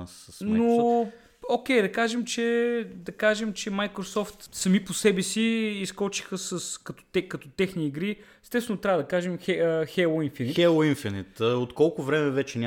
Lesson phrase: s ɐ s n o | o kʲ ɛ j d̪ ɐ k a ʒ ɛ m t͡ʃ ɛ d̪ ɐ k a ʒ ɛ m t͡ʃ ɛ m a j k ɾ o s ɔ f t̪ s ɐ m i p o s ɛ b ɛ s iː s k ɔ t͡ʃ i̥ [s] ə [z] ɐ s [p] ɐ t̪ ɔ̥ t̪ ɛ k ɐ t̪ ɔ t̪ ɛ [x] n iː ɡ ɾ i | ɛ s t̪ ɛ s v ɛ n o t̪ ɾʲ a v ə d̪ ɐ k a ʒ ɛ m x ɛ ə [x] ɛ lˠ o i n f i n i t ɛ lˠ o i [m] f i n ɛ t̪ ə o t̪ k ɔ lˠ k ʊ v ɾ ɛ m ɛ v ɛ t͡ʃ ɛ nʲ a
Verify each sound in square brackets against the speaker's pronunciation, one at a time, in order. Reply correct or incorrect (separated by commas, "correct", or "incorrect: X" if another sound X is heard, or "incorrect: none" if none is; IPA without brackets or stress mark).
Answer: incorrect: x, incorrect: s, incorrect: k, correct, correct, incorrect: n